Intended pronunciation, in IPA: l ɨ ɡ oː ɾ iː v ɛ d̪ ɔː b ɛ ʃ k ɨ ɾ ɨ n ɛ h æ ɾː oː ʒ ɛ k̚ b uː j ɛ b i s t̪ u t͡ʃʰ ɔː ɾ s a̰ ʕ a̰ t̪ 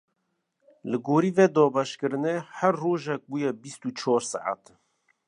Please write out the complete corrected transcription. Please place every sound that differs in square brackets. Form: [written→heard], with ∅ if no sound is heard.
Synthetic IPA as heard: l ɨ ɡ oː ɾ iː v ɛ d̪ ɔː b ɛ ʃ k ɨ ɾ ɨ n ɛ h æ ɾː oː ʒ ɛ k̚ b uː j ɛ b i s t̪ u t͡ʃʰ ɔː ɾ s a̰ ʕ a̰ t̪